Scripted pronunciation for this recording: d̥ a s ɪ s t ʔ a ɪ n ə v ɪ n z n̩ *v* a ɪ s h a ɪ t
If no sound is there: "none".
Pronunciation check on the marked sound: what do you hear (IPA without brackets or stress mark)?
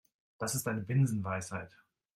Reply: v